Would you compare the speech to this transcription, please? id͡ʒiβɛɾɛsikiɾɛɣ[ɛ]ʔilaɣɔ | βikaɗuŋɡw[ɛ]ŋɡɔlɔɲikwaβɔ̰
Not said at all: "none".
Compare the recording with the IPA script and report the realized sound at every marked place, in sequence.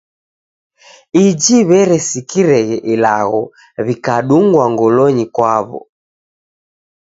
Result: ɛ, a

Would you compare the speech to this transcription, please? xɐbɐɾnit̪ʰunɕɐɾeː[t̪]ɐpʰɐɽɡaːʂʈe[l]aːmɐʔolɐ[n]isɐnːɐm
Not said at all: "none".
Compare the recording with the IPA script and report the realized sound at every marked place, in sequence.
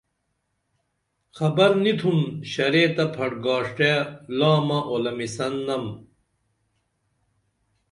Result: t̪, l, m

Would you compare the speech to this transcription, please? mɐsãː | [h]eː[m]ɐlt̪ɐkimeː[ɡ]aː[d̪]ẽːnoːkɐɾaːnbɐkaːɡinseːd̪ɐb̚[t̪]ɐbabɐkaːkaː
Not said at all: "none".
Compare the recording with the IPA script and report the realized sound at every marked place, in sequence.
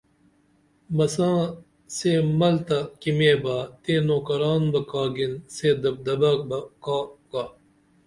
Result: s, m, b, t̪, d̪

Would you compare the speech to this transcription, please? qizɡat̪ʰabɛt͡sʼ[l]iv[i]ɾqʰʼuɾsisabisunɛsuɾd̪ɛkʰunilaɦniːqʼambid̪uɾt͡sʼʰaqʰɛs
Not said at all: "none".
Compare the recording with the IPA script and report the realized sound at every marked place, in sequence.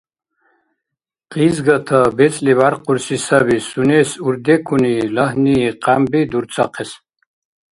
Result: l, a

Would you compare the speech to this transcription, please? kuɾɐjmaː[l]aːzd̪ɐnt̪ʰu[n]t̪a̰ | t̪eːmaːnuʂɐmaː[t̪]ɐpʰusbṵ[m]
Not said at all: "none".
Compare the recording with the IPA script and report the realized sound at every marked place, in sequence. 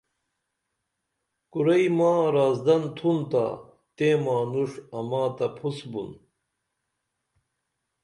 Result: ɾ, n, t̪, n

